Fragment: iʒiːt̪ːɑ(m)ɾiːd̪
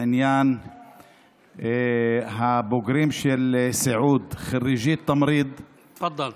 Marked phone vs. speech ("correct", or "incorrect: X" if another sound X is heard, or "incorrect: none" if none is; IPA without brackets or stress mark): correct